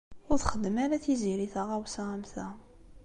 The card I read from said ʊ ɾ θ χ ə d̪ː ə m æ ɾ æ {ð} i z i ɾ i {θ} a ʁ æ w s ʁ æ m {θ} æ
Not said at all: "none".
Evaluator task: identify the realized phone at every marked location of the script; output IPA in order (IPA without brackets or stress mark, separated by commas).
θ, θ, θ